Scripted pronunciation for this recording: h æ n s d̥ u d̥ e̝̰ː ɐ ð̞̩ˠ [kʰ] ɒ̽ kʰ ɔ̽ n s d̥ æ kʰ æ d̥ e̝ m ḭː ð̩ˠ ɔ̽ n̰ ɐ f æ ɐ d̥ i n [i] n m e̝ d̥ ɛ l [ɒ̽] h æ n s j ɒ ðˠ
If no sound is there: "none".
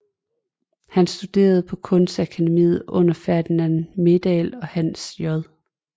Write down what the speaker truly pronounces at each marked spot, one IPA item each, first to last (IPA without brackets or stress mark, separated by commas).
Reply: pʰ, æ, ɒ̽